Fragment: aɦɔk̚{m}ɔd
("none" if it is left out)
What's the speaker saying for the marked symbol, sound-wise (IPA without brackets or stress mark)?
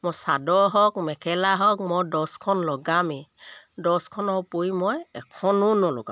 m